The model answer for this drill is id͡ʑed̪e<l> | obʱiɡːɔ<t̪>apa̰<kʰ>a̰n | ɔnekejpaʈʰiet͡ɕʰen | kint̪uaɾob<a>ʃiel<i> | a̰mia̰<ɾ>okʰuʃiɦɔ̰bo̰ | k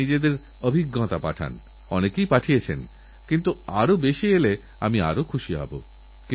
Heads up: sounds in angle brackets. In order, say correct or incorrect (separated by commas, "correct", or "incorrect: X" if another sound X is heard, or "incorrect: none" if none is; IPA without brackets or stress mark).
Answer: incorrect: ɾ, correct, incorrect: ʈʰ, incorrect: e, incorrect: e, correct